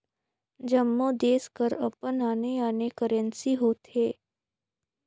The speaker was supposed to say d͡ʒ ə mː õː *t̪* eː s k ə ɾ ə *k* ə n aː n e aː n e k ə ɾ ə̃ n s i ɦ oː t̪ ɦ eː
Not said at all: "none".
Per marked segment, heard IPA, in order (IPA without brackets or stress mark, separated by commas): d̪, p